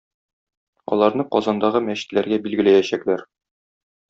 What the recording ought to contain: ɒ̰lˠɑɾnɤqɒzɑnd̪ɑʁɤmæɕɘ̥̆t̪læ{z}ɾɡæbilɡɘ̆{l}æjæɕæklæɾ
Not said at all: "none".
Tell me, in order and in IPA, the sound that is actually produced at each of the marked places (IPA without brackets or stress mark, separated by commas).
none, l